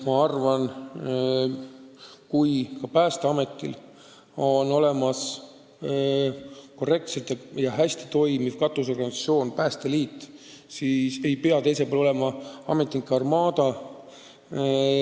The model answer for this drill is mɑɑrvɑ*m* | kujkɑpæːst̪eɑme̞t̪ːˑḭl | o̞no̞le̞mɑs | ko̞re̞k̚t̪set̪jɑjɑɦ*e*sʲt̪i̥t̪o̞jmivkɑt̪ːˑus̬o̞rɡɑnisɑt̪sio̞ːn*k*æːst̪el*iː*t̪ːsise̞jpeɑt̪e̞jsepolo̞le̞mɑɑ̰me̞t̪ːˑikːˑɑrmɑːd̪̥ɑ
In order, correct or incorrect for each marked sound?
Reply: incorrect: n, incorrect: æ, incorrect: p, correct

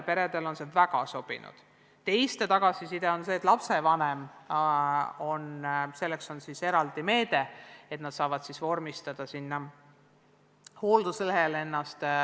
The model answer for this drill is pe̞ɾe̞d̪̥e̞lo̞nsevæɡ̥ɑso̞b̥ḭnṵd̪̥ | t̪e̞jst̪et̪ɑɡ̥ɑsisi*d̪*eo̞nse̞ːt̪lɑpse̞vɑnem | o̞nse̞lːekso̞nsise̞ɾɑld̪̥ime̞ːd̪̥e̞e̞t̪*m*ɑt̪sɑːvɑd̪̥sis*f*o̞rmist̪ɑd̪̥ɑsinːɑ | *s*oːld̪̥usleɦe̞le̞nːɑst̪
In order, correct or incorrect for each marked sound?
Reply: correct, incorrect: n, incorrect: v, incorrect: h

